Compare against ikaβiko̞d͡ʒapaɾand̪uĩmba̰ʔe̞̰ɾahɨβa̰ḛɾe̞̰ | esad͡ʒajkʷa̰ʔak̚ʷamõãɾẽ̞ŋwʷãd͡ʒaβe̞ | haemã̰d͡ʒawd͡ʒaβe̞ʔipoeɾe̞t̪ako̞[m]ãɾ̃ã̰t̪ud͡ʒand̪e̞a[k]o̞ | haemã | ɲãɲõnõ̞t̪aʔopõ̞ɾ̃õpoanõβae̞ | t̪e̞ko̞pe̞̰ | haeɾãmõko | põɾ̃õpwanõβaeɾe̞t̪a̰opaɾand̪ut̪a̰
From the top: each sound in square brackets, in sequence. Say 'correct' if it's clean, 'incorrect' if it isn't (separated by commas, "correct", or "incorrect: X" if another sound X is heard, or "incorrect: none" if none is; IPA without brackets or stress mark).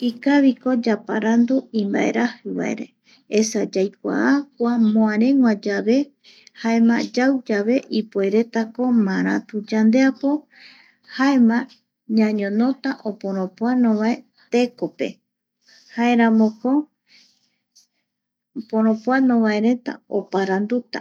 correct, incorrect: p